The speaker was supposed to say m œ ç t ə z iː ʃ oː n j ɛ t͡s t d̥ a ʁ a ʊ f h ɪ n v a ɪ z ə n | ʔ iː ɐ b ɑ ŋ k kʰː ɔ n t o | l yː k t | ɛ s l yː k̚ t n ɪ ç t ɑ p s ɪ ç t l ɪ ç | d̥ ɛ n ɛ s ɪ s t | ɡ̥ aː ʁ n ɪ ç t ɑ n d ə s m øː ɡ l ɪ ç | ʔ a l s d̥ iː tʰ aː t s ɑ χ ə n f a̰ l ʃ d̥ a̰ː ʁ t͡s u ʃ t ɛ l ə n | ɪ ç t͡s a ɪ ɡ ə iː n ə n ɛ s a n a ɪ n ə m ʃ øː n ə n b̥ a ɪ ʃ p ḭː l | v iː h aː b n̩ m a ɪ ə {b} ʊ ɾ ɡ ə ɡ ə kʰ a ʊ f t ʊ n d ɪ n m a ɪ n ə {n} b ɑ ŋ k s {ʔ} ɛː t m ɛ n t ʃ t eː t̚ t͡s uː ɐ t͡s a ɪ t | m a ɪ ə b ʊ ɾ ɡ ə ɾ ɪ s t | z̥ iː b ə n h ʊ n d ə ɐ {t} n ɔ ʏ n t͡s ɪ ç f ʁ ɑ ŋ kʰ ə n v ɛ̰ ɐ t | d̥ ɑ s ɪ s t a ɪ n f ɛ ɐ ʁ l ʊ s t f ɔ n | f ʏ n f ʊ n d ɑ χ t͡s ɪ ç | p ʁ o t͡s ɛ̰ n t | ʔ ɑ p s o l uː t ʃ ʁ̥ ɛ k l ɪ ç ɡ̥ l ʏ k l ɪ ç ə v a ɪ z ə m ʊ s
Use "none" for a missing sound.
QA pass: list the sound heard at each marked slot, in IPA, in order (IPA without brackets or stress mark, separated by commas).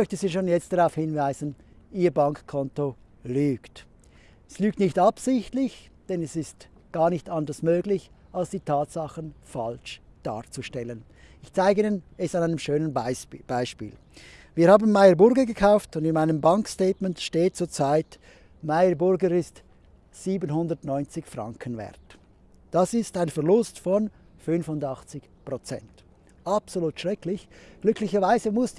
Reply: b, m, t, t